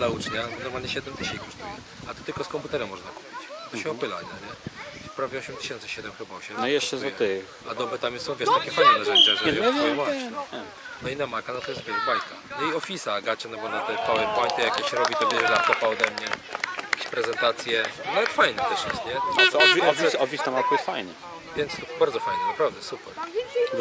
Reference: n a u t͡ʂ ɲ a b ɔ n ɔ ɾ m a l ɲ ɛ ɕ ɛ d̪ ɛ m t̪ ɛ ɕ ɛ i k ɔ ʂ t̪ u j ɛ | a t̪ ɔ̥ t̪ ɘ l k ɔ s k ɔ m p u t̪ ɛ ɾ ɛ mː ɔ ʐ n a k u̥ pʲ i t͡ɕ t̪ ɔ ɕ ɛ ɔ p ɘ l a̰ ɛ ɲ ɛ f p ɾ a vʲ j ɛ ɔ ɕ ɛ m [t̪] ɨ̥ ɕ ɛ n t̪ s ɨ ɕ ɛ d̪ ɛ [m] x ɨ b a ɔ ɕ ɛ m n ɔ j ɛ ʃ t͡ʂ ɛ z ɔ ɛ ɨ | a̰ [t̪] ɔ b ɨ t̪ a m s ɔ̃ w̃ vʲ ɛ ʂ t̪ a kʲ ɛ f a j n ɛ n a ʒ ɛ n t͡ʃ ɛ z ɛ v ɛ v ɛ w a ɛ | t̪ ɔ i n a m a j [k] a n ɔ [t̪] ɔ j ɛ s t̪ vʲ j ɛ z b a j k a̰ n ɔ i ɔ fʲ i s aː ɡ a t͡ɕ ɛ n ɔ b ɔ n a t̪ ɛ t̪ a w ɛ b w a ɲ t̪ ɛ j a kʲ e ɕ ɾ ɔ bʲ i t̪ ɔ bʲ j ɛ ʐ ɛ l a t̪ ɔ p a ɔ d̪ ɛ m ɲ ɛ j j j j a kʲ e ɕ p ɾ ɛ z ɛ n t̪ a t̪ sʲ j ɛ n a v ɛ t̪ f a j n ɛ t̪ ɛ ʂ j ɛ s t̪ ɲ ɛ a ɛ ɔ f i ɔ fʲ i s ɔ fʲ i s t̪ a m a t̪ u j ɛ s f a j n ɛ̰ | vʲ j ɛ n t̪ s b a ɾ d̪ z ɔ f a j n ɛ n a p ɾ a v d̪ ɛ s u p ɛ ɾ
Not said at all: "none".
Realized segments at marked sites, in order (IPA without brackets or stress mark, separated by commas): t̪, m, d̪, k, t̪